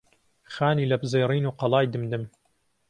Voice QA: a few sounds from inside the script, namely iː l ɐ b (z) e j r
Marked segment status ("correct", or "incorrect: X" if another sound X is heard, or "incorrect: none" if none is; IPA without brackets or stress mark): correct